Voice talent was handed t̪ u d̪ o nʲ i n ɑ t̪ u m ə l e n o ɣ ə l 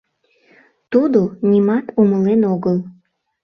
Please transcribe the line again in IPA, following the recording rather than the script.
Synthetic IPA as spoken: t̪ u d̪ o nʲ i m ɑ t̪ u m ə l e n o ɣ ə l